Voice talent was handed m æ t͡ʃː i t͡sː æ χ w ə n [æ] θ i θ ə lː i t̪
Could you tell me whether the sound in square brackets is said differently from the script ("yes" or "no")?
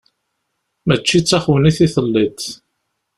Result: yes